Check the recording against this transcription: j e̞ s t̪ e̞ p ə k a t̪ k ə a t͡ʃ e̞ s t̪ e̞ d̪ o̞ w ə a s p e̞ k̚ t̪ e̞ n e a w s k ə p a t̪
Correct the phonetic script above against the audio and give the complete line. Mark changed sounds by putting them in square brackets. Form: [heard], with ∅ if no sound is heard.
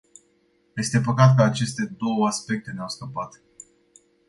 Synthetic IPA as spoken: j e̞ s t̪ e̞ p ə k a t̪ k ə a t͡ʃ e̞ s t̪ e̞ d̪ o̞ w ə a s p e̞ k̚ t̪ e̞ n e a w s k ə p a t̪